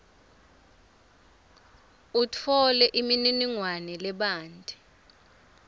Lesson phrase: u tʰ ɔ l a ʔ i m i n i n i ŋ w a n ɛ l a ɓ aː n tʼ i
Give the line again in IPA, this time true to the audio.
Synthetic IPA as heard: u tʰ ɔ l ɛ ʔ i m i n i n i ŋ w a n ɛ l ɛ ɓ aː n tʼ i